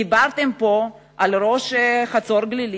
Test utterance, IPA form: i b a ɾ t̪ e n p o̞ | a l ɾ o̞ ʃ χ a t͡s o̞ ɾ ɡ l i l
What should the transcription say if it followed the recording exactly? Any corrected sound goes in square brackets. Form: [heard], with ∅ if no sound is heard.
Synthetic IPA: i b a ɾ t̪ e [m] p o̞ | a l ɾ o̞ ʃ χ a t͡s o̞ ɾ ɡ l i l